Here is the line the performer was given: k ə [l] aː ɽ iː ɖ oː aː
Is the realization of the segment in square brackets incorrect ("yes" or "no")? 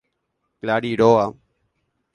no